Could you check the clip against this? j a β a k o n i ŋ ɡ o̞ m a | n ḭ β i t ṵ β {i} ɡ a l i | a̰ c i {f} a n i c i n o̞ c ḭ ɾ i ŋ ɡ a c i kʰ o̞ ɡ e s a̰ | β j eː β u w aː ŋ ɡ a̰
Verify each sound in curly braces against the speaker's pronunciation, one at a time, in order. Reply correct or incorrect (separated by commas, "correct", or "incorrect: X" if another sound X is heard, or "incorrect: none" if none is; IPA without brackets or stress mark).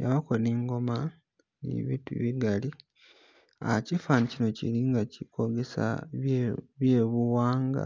correct, correct